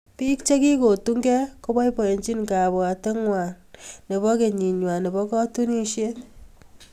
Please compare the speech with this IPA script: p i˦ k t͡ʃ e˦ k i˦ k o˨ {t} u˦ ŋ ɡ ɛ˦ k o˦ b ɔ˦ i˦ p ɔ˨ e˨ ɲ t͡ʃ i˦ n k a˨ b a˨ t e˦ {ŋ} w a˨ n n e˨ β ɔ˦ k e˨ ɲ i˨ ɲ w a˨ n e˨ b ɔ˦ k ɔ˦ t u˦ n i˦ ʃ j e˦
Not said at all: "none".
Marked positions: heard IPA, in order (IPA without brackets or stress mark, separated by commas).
t, ŋ